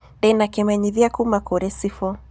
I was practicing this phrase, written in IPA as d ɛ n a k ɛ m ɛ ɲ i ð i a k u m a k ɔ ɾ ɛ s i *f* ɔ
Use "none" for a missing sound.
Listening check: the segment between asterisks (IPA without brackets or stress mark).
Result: f